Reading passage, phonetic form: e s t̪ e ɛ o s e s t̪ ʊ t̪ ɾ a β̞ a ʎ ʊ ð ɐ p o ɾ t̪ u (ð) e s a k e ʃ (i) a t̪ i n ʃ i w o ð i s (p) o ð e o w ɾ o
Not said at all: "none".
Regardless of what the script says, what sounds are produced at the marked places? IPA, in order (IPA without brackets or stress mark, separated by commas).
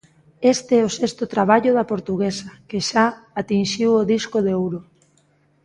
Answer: ɣ, a, k